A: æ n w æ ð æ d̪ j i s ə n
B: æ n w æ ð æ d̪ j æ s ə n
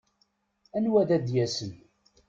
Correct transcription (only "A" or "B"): B